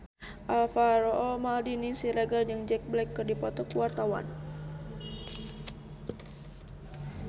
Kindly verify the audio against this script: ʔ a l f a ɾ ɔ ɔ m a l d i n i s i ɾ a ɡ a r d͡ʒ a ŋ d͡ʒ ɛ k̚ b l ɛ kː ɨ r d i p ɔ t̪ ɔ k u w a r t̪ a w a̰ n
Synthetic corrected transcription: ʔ a l f a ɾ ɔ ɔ m a l d i n i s i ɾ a ɡ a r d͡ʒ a ŋ d͡ʒ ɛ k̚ b l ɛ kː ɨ r d i p ɔ t̪ ɔ k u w a r t̪ a w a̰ n